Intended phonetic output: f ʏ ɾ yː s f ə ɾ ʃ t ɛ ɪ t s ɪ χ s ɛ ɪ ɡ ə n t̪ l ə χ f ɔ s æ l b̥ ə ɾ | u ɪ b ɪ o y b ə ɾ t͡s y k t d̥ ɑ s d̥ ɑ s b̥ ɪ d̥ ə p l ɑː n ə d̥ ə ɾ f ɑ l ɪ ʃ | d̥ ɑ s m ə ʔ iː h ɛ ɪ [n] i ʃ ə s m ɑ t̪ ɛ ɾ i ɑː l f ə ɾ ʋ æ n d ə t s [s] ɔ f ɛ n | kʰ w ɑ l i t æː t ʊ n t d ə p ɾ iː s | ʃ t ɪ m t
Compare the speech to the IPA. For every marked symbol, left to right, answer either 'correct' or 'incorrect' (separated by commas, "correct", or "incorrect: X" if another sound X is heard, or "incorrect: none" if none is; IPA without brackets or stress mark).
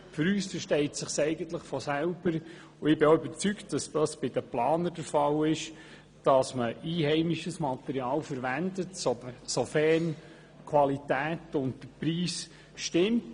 incorrect: m, correct